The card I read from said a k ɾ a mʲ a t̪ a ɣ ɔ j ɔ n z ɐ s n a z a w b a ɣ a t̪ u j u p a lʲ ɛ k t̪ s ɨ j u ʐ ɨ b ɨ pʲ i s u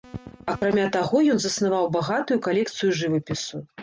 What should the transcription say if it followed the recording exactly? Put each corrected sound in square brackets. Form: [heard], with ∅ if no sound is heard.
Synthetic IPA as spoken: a k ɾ a mʲ a t̪ a ɣ ɔ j ɔ n z ɐ s n a [v] a w b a ɣ a t̪ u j u [k] a lʲ ɛ k t̪ s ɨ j u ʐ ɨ [v] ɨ pʲ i s u